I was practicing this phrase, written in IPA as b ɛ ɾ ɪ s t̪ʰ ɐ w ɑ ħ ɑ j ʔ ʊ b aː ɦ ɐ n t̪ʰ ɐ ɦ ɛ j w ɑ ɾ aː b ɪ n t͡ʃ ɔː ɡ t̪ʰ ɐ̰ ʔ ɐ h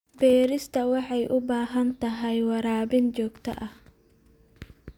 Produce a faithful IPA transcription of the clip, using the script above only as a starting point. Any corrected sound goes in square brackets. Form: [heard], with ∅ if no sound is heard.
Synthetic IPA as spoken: b [ɛː] ɾ ɪ s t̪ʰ ɐ w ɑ ħ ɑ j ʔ ʊ b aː ɦ ɐ n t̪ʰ ɐ ɦ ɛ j w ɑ ɾ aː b ɪ n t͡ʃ ɔː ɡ t̪ʰ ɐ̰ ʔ ɐ h